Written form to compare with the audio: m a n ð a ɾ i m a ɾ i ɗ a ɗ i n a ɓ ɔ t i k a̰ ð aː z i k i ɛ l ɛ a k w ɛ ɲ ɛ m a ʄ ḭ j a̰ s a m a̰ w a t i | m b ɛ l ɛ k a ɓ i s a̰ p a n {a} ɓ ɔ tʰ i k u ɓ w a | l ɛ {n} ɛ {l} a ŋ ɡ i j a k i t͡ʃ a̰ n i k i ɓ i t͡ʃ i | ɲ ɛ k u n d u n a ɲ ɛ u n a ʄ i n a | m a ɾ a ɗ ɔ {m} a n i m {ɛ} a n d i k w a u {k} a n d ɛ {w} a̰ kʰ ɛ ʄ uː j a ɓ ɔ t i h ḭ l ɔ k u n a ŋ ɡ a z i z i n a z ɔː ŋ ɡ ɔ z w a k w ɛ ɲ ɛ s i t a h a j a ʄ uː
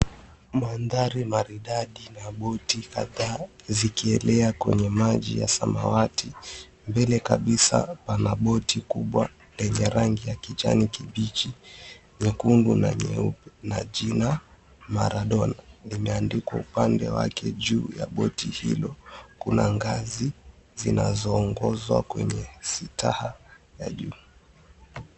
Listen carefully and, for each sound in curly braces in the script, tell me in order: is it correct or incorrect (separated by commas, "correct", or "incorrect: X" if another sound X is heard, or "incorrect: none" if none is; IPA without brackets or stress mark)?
correct, incorrect: ɲ, incorrect: ɾ, incorrect: n, correct, incorrect: p, correct